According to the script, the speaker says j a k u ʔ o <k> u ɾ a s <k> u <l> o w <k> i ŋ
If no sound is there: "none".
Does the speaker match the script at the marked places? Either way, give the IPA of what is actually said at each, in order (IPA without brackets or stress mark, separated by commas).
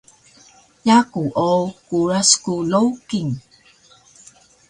k, k, l, k